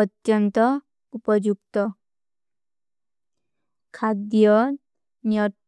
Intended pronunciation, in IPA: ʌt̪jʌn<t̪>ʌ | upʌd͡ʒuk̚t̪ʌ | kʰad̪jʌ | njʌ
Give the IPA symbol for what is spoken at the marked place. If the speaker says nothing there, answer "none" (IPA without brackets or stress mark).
t̪